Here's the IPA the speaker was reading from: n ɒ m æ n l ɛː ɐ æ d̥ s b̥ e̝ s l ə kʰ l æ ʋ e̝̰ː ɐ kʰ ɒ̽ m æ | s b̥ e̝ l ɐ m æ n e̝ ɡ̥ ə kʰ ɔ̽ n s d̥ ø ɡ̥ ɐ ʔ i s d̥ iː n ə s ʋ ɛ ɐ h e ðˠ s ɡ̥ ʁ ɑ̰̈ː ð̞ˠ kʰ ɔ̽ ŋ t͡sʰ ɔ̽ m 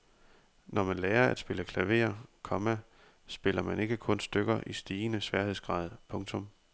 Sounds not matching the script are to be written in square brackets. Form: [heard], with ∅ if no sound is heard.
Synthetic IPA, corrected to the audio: n ɒ m æ n l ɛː ɐ æ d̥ s b̥ e̝ [∅] l ə kʰ l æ ʋ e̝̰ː ɐ kʰ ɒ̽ m æ | s b̥ e̝ l ɐ m æ n e̝ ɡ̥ ə kʰ ɔ̽ n s d̥ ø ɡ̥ ɐ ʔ i s d̥ iː n ə s ʋ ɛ ɐ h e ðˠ s ɡ̥ ʁ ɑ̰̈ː ð̞ˠ [pʰ] ɔ̽ ŋ t͡sʰ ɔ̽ m